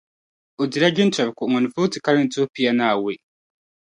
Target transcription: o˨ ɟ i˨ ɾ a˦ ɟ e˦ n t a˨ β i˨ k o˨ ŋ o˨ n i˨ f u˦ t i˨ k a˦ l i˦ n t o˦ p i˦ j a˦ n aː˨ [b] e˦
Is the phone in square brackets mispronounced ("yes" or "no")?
yes